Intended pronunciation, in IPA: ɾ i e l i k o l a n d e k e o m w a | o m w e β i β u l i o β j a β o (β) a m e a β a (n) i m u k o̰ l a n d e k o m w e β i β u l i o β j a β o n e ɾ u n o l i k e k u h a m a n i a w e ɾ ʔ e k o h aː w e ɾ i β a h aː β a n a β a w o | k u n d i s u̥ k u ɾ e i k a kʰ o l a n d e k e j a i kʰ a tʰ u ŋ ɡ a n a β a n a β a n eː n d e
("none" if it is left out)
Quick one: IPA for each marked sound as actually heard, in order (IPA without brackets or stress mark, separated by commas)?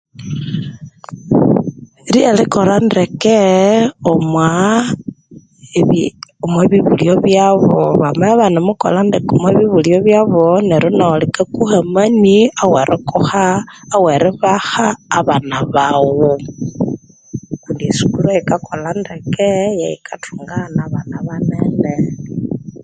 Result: β, n